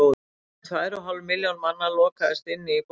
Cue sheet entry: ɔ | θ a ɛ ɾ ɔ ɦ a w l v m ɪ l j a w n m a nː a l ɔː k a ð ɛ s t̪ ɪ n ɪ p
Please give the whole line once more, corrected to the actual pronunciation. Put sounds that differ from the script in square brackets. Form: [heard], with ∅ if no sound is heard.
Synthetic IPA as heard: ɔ | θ a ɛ ɾ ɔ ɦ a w l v m ɪ l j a w n m a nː a l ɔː k a ð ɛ s t̪ ɪ [nː] ɪ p